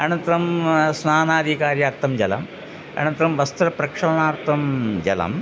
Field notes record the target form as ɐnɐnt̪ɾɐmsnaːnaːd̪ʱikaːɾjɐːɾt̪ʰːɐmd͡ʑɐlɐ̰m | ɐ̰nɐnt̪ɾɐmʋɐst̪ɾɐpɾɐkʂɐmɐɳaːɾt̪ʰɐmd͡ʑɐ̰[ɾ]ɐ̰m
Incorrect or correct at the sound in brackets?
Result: incorrect: l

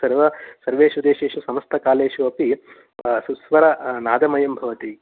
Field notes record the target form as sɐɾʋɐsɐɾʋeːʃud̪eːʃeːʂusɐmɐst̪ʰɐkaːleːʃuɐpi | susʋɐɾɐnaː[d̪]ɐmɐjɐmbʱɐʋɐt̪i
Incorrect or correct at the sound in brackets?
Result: correct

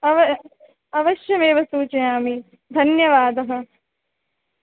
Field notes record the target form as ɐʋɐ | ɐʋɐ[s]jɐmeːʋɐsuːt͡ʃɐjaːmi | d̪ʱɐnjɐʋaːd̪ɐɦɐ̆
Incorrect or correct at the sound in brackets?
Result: incorrect: ʃ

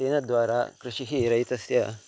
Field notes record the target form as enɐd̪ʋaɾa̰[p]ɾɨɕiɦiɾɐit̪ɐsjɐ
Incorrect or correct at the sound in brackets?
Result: incorrect: k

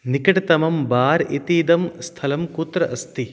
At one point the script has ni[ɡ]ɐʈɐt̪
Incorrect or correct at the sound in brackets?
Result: incorrect: k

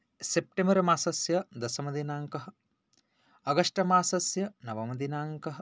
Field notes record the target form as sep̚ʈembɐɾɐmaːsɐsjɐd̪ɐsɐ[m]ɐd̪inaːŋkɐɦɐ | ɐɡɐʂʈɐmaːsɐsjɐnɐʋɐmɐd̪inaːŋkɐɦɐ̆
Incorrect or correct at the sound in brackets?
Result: correct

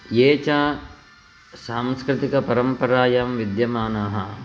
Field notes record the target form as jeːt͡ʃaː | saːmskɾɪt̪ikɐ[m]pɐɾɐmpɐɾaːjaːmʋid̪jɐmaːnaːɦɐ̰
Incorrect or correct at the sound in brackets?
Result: incorrect: none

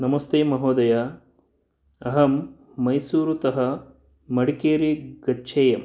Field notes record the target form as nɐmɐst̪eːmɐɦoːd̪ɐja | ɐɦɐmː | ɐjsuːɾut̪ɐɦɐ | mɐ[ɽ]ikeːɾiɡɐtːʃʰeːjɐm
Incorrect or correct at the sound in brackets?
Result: correct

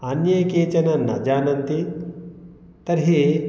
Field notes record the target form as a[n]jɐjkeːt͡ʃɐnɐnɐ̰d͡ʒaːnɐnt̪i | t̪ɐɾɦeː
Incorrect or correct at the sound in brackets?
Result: correct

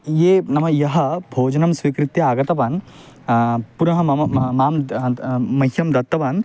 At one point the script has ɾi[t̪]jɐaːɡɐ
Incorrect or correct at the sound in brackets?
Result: correct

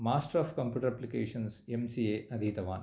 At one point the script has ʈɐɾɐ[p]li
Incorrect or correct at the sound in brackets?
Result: correct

